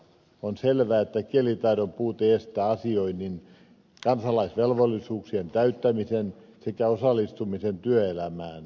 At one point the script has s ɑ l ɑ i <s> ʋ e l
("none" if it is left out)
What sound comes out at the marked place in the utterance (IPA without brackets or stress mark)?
s